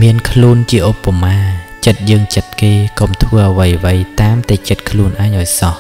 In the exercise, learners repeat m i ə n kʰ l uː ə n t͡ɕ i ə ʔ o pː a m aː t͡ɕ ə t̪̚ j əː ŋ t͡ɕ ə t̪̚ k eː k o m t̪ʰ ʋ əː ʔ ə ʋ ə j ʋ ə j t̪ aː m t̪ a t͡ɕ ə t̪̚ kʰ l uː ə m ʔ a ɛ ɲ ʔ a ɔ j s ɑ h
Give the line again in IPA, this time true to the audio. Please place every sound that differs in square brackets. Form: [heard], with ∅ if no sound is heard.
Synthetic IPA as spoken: m i ə n kʰ l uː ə n t͡ɕ i ə ʔ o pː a m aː t͡ɕ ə t̪̚ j əː ŋ t͡ɕ ə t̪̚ k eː k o m t̪ʰ ʋ əː ʔ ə ʋ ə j ʋ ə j t̪ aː m t̪ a t͡ɕ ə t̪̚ kʰ l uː ə [n] ʔ a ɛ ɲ ʔ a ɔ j s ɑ h

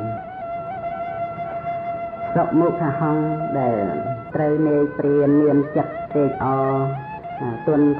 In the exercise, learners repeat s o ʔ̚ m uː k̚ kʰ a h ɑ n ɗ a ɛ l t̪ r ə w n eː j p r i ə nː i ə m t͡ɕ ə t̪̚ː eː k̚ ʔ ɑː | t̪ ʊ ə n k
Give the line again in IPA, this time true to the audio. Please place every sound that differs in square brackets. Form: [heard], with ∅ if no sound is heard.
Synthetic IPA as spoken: s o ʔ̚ m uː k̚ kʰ a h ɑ [ŋ] ɗ a ɛ l t̪ r ə w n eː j p r i ə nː i ə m t͡ɕ ə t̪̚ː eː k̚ ʔ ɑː | t̪ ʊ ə n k

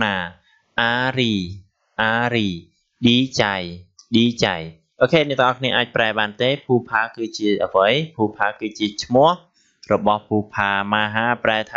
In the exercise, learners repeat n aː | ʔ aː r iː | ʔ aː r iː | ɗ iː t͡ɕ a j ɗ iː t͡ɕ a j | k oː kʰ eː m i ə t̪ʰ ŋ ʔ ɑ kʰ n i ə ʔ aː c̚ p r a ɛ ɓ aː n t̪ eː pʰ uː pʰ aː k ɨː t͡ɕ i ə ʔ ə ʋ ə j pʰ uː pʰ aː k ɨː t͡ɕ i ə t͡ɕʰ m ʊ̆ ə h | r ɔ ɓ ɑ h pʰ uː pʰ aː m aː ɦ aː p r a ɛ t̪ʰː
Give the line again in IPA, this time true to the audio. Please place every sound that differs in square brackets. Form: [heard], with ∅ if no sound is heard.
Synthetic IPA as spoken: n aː | ʔ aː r iː | ʔ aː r iː | ɗ iː t͡ɕ a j ɗ iː t͡ɕ a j | [ʔ] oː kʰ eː [n] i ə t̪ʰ ŋ ʔ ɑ kʰ n i ə ʔ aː c̚ p r a ɛ ɓ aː n t̪ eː pʰ uː pʰ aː k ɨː t͡ɕ i ə ʔ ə ʋ ə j pʰ uː pʰ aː k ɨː t͡ɕ i ə t͡ɕʰ m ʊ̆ ə h | r ɔ ɓ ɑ h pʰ uː pʰ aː m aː ɦ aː p r a ɛ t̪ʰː

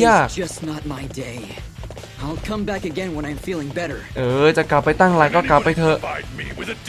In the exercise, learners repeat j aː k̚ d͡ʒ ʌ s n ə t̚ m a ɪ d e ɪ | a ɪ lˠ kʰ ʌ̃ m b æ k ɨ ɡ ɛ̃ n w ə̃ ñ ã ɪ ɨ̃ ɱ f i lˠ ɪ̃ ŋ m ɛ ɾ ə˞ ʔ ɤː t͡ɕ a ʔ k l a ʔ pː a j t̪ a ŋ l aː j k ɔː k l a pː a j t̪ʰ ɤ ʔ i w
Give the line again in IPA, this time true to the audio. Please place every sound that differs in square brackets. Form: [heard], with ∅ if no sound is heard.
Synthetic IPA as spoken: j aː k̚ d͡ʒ ʌ s n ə t̚ m a ɪ d e ɪ | a ɪ lˠ kʰ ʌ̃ m b æ k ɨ ɡ ɛ̃ n w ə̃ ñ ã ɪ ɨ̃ ɱ f i lˠ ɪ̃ ŋ [b] ɛ ɾ ə˞ ʔ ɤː t͡ɕ a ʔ k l a [∅] pː a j t̪ a ŋ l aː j k ɔː k l a pː a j t̪ʰ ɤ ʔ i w

